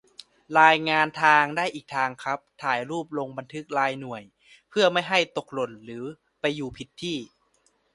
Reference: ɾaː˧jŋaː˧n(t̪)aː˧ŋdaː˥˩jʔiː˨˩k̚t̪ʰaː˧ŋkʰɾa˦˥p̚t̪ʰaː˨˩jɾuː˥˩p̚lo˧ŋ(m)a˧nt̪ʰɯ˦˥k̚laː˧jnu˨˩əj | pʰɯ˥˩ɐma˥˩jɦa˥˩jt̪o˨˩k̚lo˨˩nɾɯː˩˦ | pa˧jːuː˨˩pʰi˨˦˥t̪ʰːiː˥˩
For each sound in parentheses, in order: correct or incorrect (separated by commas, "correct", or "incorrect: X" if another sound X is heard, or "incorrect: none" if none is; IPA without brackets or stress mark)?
incorrect: t̪ʰ, incorrect: b